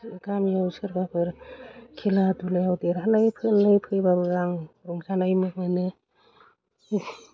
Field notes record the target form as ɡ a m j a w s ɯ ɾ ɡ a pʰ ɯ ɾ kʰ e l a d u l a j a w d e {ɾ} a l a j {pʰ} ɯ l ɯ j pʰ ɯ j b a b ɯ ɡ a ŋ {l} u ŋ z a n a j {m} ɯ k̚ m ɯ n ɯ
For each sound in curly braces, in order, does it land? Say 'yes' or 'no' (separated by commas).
yes, yes, no, yes